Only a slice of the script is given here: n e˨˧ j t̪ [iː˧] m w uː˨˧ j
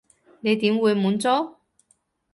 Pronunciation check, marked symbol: incorrect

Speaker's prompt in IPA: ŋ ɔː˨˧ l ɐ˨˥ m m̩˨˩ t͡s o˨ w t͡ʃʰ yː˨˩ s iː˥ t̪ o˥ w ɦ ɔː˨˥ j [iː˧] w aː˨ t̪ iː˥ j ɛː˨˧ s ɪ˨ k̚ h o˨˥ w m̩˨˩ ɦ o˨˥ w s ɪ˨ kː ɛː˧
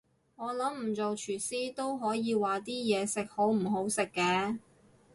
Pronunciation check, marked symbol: correct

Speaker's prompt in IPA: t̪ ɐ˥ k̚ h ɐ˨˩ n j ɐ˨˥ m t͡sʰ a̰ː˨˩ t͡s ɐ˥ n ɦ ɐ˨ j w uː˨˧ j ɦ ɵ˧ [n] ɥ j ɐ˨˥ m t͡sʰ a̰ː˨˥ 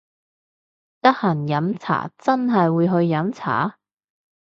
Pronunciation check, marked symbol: incorrect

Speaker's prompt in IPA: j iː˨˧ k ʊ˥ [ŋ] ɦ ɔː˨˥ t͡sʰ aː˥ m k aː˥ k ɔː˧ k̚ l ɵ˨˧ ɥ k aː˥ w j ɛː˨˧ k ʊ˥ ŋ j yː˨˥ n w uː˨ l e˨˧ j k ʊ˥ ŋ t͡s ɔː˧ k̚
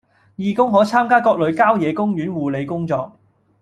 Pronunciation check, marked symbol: correct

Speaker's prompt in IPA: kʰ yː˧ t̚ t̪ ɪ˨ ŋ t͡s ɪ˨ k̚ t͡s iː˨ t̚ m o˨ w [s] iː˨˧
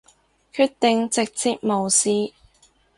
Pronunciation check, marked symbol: correct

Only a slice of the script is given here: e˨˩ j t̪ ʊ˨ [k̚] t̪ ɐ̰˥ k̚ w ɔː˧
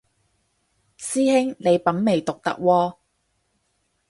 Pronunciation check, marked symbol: correct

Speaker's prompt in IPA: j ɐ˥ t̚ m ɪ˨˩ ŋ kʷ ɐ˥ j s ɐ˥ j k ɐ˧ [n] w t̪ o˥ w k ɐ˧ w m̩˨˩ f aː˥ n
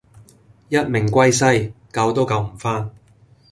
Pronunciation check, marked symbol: incorrect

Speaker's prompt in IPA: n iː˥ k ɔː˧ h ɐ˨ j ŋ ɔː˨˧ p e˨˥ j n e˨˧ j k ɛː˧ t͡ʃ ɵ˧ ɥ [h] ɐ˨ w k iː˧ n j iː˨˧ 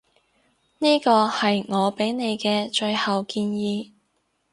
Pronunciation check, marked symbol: correct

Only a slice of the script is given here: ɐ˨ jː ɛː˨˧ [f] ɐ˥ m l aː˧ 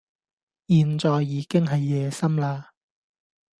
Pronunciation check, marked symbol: incorrect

